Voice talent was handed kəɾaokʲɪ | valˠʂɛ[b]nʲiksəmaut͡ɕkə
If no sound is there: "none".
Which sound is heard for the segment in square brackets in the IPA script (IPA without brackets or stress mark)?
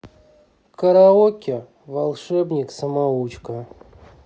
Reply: b